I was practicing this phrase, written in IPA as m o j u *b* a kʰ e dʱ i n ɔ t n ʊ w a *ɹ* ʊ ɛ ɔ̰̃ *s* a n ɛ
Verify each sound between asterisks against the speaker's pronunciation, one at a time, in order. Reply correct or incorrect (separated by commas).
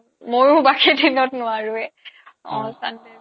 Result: correct, correct, correct